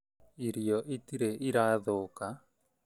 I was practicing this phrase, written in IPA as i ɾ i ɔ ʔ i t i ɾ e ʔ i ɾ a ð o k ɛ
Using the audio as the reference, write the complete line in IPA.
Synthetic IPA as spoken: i ɾ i ɔ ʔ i t i ɾ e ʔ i ɾ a ð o k a